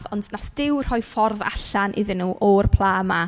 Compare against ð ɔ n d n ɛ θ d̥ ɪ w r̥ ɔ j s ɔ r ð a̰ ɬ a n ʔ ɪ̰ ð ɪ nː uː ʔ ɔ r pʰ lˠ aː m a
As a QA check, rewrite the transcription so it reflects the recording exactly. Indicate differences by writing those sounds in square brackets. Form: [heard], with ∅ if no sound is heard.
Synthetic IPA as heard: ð ɔ n d n [a] θ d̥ ɪ w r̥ ɔ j [f] ɔ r ð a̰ ɬ a n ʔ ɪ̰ ð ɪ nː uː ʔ ɔ r pʰ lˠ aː m a